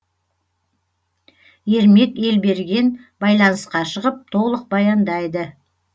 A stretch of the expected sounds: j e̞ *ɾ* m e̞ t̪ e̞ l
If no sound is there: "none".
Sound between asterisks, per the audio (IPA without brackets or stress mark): ɾ